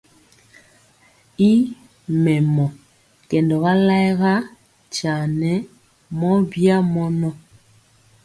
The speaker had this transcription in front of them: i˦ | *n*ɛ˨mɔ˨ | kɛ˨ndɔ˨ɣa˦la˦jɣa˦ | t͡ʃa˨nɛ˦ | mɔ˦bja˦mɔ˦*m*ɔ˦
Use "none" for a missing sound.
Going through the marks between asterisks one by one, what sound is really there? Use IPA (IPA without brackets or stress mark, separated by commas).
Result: m, n